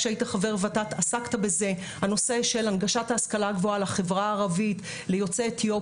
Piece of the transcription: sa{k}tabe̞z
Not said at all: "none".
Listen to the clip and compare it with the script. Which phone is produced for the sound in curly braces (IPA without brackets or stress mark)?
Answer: k